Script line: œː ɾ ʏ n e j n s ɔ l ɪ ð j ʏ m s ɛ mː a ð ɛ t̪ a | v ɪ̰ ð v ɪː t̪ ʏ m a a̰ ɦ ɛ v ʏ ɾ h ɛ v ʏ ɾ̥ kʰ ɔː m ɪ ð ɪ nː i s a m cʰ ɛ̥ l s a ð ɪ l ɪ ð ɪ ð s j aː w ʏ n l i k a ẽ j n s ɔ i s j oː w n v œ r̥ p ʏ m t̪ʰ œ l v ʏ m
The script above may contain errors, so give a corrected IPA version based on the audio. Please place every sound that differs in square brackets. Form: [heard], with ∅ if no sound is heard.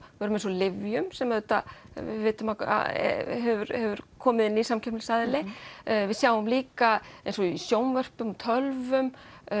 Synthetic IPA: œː ɾ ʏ [m] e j n s ɔ l ɪ [v] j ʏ m s ɛ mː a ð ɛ t̪ a | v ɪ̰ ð v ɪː t̪ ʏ m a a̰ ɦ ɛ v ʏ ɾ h ɛ v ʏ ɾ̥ kʰ ɔː m ɪ ð ɪ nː i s a m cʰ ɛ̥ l s a ð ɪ l ɪ [v] ɪ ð s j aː w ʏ [m] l [iː] k a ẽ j n s ɔ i s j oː w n v œ r̥ p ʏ m t̪ʰ œ l v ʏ m